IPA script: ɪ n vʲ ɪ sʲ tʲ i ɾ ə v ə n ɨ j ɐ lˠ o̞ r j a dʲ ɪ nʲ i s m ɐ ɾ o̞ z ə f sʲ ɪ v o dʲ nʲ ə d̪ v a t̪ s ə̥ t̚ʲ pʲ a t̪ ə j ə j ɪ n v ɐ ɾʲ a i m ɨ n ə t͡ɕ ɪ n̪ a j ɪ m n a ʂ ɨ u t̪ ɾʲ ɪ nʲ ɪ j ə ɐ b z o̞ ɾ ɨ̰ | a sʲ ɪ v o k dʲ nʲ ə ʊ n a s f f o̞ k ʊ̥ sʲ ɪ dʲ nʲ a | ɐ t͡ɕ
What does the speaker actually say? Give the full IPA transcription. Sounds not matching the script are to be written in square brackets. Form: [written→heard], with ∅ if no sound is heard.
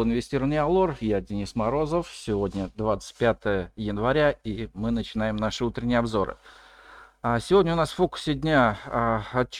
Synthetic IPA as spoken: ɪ n vʲ ɪ sʲ tʲ i ɾ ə v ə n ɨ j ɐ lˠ o̞ r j a dʲ ɪ nʲ i s m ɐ ɾ o̞ z ə f sʲ ɪ v o dʲ nʲ ə d̪ v a t̪ s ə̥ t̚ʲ pʲ a t̪ ə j ə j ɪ n v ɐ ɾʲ a i m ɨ n ə t͡ɕ ɪ n̪ a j ɪ m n a ʂ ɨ u t̪ ɾʲ ɪ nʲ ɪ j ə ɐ b z o̞ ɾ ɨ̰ | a sʲ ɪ v o [k→∅] dʲ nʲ ə ʊ n a s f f o̞ k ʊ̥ sʲ ɪ dʲ nʲ a | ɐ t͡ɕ